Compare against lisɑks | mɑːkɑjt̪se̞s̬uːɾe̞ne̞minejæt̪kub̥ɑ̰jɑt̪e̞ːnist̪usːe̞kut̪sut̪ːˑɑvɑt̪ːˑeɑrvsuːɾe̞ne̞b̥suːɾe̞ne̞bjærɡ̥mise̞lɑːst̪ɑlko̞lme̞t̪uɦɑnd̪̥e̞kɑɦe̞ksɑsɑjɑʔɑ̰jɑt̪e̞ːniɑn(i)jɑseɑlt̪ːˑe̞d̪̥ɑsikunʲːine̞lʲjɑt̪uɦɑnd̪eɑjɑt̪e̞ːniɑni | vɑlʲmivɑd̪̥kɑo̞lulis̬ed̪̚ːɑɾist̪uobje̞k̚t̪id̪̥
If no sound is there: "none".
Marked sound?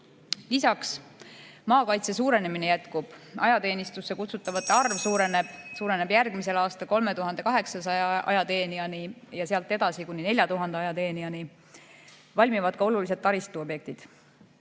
i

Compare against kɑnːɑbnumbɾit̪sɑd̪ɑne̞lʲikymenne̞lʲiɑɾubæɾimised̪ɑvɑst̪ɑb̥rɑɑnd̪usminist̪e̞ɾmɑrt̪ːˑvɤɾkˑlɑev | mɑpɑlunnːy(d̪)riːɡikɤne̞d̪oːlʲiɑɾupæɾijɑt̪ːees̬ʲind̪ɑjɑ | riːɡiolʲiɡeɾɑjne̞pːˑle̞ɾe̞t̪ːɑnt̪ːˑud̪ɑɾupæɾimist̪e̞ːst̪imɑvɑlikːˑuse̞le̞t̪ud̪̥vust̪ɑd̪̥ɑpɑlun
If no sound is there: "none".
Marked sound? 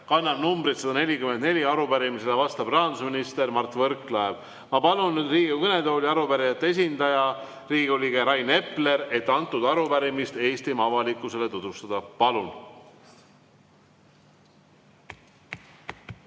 d̪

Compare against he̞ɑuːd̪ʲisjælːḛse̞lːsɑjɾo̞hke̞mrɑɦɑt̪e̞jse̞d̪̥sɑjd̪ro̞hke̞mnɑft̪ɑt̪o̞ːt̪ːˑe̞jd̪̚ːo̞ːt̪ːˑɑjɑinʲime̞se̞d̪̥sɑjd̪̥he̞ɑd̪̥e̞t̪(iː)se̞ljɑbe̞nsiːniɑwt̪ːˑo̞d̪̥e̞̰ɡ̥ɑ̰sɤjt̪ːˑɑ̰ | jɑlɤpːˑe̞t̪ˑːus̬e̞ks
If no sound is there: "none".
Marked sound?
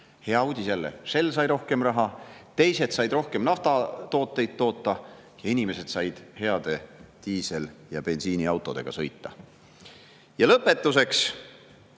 iː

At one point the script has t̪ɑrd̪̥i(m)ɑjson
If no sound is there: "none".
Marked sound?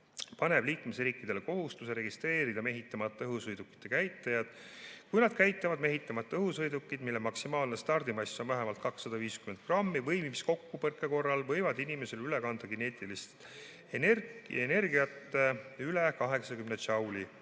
m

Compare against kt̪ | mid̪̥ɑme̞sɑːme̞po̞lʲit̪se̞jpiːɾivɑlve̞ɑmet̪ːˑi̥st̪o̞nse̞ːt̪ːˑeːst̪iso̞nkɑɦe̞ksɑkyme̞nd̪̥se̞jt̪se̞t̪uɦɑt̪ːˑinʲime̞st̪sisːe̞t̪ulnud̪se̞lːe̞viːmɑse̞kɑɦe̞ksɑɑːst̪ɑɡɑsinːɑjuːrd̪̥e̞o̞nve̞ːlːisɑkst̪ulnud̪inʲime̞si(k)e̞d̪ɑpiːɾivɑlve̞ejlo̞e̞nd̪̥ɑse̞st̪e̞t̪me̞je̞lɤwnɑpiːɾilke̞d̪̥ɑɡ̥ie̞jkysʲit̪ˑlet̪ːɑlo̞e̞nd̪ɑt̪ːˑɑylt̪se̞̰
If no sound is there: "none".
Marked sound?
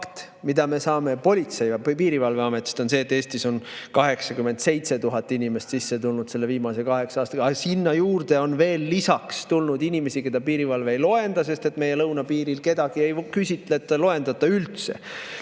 k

